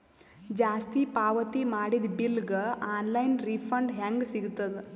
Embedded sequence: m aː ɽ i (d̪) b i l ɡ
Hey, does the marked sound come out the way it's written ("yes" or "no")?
yes